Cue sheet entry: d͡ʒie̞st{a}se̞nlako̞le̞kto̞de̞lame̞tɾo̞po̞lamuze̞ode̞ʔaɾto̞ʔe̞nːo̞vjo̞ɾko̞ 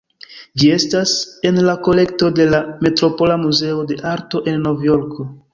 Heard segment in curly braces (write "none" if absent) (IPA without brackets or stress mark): a